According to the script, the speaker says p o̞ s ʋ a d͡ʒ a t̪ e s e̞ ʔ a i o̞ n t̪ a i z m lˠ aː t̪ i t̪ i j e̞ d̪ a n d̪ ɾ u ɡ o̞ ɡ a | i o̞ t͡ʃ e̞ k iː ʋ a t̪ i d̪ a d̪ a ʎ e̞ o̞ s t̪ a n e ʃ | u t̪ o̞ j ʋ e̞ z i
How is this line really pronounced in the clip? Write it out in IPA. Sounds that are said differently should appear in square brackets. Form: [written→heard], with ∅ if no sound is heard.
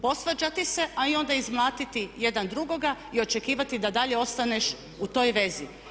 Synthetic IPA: p o̞ s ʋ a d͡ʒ a t̪ [e→i] s e̞ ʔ a i o̞ n [t̪→d̪] a i z m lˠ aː t̪ i t̪ i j e̞ d̪ a n d̪ ɾ u ɡ o̞ ɡ a | i o̞ t͡ʃ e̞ k iː ʋ a t̪ i d̪ a d̪ a ʎ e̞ o̞ s t̪ a n e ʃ | u t̪ o̞ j ʋ e̞ z i